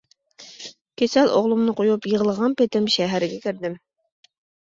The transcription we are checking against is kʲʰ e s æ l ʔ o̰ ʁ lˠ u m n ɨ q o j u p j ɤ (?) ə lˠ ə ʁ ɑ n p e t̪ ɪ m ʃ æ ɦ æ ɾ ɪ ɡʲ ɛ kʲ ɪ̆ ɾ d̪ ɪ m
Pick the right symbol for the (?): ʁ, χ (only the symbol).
ʁ